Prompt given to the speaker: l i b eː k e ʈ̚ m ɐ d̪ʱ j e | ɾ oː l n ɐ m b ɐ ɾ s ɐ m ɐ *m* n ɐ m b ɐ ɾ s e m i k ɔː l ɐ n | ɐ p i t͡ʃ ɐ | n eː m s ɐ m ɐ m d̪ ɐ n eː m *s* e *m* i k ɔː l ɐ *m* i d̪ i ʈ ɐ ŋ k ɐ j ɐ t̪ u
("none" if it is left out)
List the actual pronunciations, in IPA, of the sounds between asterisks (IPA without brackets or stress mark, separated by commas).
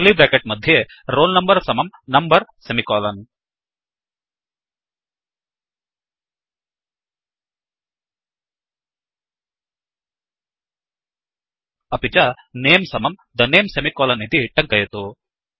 m, s, m, n